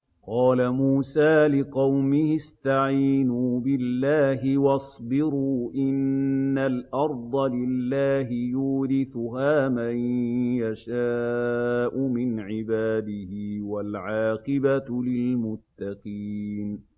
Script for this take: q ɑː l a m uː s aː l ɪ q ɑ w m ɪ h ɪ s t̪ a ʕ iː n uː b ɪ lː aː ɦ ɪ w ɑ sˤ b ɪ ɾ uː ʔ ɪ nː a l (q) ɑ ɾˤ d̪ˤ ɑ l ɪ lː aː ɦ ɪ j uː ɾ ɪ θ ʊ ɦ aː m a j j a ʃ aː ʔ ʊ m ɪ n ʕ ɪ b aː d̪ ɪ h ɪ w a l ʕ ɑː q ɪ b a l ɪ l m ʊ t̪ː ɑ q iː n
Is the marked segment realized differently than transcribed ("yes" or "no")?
yes